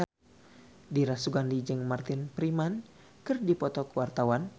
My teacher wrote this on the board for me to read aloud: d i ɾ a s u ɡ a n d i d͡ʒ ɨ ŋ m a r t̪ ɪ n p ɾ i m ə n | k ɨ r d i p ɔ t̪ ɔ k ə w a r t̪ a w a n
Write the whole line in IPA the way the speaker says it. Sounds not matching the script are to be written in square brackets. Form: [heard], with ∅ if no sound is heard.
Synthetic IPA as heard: d i ɾ a s u ɡ a n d i d͡ʒ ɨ ŋ m a r t̪ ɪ n p ɾ i m [a] n | k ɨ r d i p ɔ t̪ ɔ k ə w a r t̪ a w a n